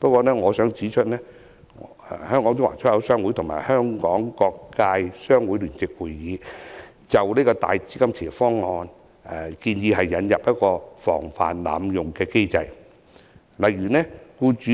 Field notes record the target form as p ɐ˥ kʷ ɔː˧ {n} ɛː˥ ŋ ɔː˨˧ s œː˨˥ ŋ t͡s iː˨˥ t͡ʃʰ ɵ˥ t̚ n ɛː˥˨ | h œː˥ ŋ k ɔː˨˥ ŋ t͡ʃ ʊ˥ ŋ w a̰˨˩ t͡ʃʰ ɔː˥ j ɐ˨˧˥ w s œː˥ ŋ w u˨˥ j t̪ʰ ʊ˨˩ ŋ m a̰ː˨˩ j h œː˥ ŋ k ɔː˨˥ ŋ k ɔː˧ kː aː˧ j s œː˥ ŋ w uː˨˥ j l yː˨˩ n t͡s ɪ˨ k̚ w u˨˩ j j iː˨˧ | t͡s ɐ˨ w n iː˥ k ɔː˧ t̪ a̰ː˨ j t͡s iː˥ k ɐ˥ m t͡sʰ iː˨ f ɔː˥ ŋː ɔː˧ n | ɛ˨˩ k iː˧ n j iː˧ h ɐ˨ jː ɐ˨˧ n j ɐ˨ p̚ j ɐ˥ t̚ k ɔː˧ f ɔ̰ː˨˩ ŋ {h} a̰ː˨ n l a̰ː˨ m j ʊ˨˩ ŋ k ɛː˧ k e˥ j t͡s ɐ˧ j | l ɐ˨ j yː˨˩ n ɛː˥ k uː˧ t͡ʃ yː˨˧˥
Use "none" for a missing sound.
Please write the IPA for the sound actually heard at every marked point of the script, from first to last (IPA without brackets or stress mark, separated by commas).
n, f